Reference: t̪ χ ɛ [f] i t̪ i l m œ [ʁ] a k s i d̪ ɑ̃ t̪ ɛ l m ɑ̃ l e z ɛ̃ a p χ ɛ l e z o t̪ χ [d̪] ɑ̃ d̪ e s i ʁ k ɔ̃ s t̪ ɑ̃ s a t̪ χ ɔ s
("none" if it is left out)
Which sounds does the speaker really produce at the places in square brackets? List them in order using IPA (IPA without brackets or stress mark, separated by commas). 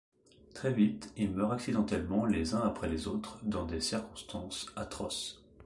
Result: v, ʁ, d̪